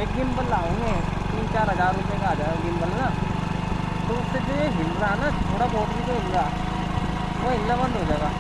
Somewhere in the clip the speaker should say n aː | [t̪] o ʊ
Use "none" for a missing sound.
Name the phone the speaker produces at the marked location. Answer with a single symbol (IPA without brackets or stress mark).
t̪